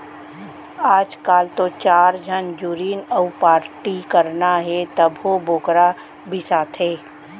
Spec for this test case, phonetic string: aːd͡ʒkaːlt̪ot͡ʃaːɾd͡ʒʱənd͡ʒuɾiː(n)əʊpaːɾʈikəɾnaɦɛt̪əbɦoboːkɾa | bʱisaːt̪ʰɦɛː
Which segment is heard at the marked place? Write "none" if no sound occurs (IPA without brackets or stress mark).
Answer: n